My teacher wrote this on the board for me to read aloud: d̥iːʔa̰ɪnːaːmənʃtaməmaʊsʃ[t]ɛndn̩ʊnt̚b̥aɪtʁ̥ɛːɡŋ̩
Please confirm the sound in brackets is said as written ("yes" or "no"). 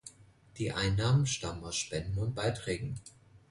no